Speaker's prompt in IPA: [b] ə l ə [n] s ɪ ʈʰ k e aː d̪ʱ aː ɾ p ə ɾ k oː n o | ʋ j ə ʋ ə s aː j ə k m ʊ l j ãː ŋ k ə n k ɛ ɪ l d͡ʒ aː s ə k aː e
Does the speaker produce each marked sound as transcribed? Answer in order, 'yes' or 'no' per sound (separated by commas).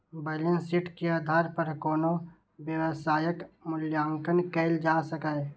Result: yes, yes